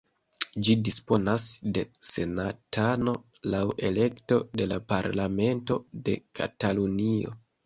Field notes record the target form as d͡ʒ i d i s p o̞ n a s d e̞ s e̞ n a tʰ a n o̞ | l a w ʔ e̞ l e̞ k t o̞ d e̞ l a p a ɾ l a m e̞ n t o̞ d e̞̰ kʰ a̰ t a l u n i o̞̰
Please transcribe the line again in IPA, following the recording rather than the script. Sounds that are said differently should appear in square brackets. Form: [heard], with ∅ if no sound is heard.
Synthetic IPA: d͡ʒ i d i s p o̞ n a s d e̞ s e̞ n a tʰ a n o̞ | l a w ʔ e̞ l e̞ k t o̞ d e̞ l a p a ɾ l a m e̞ n t o̞ d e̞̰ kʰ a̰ t a l u n i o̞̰